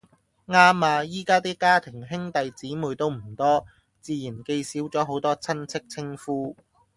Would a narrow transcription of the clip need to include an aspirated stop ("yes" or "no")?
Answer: yes